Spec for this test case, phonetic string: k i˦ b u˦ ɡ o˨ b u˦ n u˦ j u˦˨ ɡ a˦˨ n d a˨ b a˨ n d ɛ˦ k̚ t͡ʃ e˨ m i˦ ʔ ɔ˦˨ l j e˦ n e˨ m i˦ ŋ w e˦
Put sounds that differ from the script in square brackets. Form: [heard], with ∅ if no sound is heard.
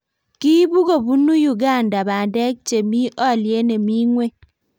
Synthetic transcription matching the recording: k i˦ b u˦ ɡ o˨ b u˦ n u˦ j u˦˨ ɡ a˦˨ n d a˨ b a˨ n d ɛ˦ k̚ t͡ʃ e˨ m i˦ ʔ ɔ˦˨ l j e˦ n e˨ m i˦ ŋ w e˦